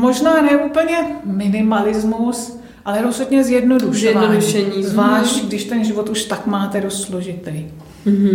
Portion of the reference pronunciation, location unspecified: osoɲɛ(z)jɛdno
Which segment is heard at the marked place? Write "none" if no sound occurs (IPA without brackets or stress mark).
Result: z